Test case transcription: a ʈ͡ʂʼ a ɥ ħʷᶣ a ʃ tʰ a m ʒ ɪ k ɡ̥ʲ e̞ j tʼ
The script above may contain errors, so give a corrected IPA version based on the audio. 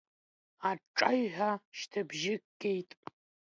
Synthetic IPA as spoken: a ʈ͡ʂʼ a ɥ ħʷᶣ a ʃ tʰ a b ʒ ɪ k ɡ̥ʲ e̞ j tʼ

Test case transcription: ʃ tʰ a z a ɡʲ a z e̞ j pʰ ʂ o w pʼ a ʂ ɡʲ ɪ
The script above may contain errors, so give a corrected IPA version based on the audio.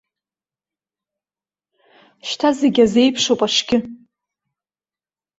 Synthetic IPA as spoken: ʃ tʰ a z e ɡʲ a z e̞ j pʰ ʂ o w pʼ a ʂ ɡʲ ɪ

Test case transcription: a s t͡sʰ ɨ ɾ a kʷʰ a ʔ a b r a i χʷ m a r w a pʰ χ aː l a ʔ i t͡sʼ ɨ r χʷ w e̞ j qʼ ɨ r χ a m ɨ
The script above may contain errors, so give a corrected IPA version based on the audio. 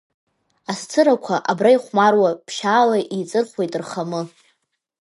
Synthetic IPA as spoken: a s t͡sʰ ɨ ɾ a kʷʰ a ʔ a b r a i χʷ m a r w a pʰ ʃ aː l a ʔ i t͡sʼ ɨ r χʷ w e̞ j tʼ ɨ r χ a m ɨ

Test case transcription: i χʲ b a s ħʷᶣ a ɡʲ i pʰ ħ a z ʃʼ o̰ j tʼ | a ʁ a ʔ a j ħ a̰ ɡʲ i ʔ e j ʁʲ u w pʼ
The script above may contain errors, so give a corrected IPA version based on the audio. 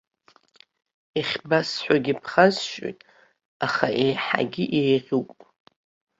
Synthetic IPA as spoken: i χʲ b a s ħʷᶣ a ɡʲ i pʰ χ a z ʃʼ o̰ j tʼ | a χ a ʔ e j ħ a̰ ɡʲ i ʔ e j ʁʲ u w pʼ

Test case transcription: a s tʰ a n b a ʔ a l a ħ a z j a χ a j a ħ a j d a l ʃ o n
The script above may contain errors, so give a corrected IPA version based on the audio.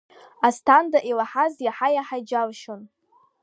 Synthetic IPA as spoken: a s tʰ a n d a ʔ i l a ħ a z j a ħ a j a ħ a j d͡ʒ a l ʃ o n

